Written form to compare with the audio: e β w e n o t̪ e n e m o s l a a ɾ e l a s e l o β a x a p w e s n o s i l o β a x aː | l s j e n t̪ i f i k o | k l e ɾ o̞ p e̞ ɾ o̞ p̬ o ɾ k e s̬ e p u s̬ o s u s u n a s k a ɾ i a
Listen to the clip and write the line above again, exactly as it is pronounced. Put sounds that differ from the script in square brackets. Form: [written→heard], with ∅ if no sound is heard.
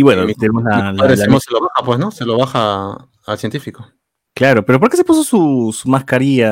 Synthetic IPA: [e→i] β w e n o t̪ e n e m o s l a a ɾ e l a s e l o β a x a p w e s n o s [i→e] l o β a x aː | l s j e n t̪ i f i k o | k l [e→a] ɾ o̞ p e̞ ɾ o̞ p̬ o ɾ k e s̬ e p u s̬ o s u s u [n→m] a s k a ɾ i a